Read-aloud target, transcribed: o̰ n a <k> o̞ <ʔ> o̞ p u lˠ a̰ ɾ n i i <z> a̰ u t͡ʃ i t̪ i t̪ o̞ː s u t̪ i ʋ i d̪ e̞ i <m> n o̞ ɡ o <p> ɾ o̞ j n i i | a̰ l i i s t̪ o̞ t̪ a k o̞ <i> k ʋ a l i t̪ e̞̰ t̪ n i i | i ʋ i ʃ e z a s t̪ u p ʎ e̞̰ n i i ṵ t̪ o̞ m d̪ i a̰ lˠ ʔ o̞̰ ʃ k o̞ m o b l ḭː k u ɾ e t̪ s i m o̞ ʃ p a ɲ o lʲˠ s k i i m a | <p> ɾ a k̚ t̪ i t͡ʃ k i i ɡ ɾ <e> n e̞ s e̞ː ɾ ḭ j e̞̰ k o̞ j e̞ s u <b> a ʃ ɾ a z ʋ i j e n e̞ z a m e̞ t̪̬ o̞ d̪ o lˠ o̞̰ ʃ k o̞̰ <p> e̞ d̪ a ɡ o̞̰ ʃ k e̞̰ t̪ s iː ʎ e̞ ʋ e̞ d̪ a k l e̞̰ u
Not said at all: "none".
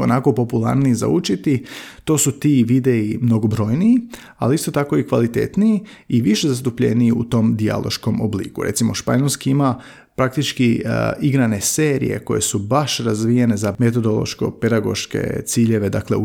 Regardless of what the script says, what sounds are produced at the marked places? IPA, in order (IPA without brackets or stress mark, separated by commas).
k, p, z, m, b, i, p, a, b, p